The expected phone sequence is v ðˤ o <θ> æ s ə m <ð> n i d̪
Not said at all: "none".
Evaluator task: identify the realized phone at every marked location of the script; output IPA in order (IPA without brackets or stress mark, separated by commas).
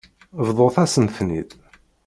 θ, θ